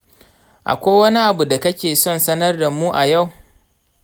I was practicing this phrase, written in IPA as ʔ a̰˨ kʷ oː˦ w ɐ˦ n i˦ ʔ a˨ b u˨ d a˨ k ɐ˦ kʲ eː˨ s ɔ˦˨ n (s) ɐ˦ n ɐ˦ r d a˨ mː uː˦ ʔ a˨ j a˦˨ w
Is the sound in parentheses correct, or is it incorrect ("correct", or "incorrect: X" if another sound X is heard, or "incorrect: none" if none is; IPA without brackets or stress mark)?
correct